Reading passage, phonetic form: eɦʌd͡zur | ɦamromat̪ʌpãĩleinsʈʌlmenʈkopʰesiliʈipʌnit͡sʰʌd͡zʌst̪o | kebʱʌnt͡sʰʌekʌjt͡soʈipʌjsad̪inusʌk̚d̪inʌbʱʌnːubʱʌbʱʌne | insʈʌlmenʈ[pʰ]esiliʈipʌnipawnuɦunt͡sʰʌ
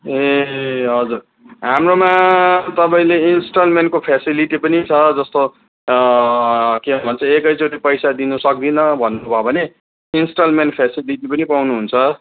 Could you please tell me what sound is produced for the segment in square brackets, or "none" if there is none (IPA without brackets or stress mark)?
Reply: pʰ